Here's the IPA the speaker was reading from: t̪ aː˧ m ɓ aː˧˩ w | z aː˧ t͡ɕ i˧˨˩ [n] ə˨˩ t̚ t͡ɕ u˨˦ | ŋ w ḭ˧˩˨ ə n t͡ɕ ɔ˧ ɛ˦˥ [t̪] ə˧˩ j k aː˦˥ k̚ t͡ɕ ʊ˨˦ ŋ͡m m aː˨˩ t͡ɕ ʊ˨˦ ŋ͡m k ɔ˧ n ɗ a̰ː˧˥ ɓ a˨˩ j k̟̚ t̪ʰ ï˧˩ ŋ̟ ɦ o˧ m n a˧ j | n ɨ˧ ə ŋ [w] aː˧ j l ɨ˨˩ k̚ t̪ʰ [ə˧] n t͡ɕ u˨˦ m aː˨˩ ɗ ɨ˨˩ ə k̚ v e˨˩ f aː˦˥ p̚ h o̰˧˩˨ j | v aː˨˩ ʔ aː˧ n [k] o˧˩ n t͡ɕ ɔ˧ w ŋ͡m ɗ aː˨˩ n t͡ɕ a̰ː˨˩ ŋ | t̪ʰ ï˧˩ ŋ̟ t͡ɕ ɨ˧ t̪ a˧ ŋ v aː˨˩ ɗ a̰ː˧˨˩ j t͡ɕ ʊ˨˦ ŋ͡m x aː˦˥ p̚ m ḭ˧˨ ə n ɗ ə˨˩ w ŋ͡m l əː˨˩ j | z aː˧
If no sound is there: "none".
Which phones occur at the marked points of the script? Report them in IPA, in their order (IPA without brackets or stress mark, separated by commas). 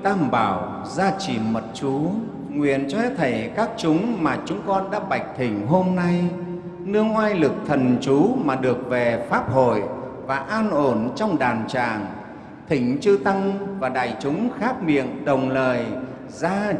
m, t̪ʰ, w, ə˨˩, ʔ